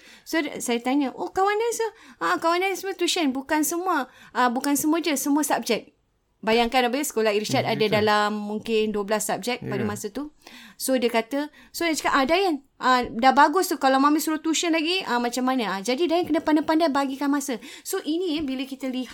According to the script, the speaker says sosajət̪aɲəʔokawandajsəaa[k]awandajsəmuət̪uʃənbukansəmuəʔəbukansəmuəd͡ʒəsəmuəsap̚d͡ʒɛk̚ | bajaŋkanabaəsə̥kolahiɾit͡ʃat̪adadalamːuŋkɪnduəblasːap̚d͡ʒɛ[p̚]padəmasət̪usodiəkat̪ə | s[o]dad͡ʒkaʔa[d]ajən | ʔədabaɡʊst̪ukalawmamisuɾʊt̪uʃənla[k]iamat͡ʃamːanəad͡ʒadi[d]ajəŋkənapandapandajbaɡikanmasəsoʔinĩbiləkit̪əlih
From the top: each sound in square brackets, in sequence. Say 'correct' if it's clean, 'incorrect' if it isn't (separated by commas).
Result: correct, incorrect, correct, correct, incorrect, correct